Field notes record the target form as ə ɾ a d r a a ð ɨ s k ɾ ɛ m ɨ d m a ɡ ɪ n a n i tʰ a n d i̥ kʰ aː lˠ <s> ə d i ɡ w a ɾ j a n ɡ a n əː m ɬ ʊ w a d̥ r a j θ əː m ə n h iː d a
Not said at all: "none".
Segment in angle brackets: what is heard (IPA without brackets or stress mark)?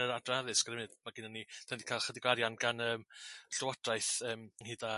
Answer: χ